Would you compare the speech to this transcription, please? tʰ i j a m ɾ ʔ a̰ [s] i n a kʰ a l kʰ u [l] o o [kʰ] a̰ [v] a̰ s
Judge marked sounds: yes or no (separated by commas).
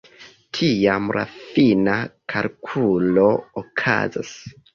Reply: no, yes, yes, no